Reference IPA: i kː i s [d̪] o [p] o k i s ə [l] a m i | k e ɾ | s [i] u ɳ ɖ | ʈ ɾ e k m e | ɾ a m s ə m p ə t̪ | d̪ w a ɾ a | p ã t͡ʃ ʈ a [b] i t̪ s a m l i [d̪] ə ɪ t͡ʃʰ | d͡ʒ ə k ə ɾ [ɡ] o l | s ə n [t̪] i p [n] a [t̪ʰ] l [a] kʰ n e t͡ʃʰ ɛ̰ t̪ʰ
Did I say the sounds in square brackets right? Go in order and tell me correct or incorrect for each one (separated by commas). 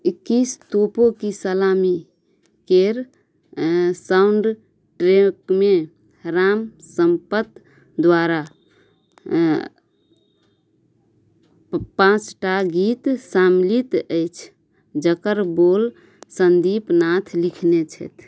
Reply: incorrect, correct, correct, incorrect, incorrect, incorrect, incorrect, incorrect, correct, correct, incorrect